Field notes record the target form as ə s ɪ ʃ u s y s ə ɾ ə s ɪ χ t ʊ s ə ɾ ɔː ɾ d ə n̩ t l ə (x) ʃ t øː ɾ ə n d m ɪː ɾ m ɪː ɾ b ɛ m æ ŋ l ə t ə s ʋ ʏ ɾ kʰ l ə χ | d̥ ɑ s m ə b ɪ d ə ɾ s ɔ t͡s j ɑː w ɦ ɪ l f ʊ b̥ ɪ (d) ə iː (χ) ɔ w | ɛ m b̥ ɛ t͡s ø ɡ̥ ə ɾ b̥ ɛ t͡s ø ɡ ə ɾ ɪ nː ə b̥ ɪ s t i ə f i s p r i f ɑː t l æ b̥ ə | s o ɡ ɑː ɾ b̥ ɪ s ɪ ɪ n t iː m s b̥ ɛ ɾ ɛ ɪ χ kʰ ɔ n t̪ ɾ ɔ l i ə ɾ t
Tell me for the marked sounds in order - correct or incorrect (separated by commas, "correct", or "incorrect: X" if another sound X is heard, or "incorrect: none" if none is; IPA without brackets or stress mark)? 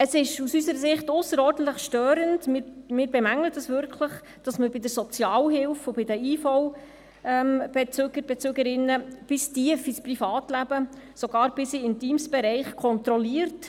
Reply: incorrect: χ, correct, incorrect: f